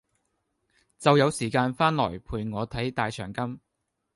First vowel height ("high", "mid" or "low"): low